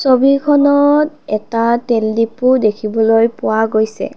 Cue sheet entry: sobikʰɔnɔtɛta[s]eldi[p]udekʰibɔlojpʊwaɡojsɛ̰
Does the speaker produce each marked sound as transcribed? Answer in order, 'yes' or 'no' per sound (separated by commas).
no, yes